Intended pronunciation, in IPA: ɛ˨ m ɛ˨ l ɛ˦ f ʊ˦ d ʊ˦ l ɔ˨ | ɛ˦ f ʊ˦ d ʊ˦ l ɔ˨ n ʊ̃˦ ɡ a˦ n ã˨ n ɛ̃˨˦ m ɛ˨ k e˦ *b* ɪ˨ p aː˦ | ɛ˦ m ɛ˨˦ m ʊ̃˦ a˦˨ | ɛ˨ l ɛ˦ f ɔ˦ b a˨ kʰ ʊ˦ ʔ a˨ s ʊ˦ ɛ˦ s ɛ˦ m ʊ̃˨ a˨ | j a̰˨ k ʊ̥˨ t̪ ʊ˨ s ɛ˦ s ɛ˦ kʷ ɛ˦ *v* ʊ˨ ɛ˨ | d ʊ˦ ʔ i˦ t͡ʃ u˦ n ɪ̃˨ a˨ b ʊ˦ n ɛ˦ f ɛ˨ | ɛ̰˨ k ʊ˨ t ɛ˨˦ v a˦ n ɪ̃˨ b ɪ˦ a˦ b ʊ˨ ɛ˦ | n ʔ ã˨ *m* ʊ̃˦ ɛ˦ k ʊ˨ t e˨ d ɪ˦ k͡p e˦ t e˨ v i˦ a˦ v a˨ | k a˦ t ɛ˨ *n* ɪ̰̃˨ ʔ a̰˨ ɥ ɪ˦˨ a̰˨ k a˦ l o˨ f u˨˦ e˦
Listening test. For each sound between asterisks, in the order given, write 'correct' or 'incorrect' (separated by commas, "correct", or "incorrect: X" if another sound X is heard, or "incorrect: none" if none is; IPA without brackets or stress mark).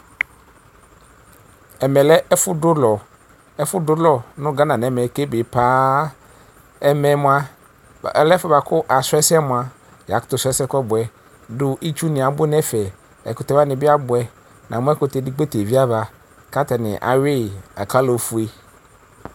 correct, incorrect: b, correct, correct